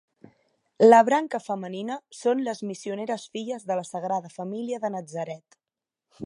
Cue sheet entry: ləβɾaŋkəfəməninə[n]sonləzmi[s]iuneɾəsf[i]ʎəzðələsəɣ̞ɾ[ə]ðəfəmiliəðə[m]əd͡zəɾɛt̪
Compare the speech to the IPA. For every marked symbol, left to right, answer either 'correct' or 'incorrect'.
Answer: incorrect, correct, correct, incorrect, incorrect

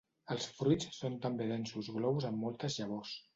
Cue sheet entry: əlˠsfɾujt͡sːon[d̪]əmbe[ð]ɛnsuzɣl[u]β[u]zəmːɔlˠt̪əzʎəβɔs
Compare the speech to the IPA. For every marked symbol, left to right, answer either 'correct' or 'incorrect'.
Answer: incorrect, correct, incorrect, correct

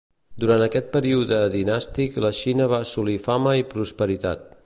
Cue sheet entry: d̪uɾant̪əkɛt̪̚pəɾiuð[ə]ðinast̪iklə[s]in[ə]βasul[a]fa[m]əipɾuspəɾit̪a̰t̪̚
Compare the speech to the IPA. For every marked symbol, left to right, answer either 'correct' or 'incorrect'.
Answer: correct, incorrect, correct, incorrect, correct

